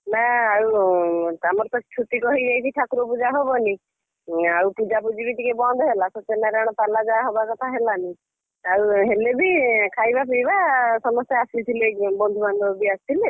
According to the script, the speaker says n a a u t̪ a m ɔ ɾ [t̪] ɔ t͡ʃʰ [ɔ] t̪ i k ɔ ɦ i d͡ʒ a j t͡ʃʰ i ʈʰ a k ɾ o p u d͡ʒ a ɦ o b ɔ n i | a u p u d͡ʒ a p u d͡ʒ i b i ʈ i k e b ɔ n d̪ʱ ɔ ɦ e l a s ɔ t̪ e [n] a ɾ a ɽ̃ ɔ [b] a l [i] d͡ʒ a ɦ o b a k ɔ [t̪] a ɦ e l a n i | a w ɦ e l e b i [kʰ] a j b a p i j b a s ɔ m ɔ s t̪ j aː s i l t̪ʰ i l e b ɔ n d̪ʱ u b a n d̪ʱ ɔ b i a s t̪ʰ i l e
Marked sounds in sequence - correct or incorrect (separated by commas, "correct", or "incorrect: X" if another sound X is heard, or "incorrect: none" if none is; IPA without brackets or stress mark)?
correct, incorrect: u, correct, incorrect: p, incorrect: a, incorrect: t̪ʰ, correct